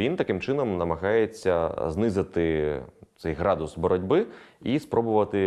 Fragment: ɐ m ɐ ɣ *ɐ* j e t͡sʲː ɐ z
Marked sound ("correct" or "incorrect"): incorrect